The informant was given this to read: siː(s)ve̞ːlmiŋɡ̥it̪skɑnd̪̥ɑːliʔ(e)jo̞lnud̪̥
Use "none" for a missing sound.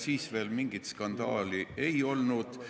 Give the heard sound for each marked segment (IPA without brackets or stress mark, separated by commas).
s, e